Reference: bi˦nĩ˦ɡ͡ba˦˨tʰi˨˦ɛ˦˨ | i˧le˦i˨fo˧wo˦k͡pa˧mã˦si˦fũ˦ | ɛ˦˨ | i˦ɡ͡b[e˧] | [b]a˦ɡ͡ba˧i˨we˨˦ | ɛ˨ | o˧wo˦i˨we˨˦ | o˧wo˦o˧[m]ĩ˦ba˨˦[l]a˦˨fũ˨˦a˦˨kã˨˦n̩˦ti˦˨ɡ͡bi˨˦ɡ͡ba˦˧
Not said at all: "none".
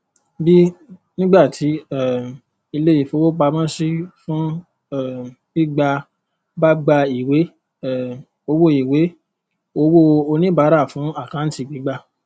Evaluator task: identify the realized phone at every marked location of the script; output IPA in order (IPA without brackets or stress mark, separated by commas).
a˧, b, n, ɾ